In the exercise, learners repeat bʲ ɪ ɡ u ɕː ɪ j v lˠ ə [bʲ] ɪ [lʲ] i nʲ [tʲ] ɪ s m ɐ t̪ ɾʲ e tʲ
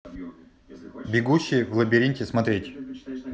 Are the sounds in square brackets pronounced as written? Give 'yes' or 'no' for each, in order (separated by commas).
yes, no, yes